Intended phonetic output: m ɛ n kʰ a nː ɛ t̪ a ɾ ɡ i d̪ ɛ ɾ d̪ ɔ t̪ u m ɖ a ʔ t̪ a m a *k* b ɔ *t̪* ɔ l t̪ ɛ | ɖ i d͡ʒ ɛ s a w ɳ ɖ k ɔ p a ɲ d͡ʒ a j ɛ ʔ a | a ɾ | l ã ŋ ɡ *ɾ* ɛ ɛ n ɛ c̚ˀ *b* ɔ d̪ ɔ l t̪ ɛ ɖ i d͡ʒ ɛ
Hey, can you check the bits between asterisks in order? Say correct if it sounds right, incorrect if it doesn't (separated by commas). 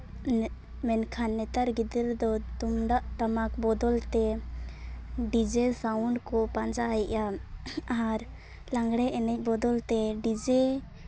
correct, incorrect, incorrect, correct